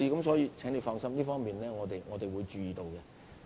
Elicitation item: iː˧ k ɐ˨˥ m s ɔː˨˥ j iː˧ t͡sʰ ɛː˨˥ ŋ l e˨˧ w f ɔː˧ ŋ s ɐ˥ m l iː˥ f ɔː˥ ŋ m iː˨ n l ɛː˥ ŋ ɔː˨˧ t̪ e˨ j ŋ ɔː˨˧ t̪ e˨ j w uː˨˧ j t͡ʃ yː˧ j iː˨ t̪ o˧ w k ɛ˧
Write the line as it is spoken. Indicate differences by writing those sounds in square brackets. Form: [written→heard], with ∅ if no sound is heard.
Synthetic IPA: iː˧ k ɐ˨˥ m s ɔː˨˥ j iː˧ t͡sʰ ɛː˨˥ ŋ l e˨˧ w f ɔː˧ ŋ s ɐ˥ m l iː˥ f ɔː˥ ŋ m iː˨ n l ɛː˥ ŋ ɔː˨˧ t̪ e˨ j ŋ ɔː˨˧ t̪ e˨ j w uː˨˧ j t͡ʃ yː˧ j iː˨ t̪ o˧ w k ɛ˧